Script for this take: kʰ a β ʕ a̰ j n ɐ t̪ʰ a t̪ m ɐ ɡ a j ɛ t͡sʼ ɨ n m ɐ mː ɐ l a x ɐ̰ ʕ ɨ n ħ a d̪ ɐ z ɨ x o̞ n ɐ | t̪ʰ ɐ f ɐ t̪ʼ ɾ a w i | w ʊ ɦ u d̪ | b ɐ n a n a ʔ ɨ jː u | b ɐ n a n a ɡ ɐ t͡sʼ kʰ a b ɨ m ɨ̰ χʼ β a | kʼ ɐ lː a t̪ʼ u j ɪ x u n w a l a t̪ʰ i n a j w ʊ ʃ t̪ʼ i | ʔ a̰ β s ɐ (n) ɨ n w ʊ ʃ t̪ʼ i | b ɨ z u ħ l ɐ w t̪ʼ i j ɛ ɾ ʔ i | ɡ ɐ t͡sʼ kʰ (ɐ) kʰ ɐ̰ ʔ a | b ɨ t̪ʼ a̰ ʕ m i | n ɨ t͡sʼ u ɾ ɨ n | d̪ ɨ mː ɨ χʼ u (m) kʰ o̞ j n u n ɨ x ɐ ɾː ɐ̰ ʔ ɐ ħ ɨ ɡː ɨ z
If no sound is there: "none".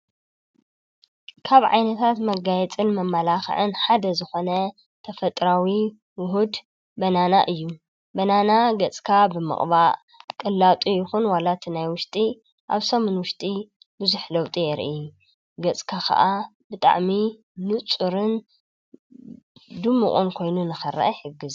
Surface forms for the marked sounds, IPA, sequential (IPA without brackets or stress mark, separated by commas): m, a, n